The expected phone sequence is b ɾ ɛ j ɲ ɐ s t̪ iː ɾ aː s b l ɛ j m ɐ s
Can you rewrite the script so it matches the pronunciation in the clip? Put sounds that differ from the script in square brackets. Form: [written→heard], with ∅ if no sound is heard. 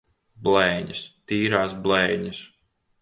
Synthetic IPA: b [ɾ→l] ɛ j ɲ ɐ s t̪ iː ɾ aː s b l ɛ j [m→ɲ] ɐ s